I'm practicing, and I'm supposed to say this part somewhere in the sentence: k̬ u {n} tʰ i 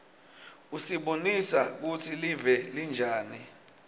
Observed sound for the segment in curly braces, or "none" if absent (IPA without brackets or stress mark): none